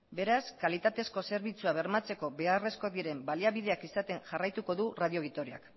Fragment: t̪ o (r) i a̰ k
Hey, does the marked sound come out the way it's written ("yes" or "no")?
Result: no